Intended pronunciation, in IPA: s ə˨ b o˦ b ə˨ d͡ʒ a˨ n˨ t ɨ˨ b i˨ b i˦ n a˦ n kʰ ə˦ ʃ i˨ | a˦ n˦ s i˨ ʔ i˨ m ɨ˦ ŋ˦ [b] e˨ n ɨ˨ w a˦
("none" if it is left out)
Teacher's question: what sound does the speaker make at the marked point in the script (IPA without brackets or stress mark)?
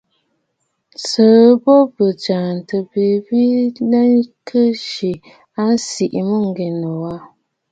ɡ